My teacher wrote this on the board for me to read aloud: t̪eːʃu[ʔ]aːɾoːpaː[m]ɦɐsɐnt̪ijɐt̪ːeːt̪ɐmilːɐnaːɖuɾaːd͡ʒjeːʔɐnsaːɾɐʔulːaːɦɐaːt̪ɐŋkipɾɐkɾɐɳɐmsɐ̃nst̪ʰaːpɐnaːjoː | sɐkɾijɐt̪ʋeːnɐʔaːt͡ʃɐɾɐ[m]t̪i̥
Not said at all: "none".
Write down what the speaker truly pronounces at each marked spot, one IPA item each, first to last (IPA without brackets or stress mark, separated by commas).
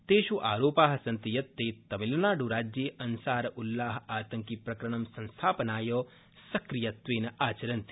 ʔ, none, n